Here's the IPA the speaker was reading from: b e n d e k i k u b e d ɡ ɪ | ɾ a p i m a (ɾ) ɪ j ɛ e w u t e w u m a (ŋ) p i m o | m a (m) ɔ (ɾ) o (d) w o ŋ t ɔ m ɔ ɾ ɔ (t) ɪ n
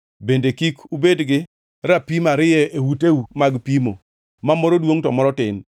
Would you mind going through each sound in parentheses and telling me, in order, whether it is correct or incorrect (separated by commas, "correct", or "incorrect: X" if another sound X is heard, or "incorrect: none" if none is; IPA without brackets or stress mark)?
correct, incorrect: ɡ, correct, correct, correct, correct